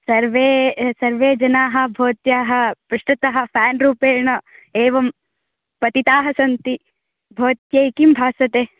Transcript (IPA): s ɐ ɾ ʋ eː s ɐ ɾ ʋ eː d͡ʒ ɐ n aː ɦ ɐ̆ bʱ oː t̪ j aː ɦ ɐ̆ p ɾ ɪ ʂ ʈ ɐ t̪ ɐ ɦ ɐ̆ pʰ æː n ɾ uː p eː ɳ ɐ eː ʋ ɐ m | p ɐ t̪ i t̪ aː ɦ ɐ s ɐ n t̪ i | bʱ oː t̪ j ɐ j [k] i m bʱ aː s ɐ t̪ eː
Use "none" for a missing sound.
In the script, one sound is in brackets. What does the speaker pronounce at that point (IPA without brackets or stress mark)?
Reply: k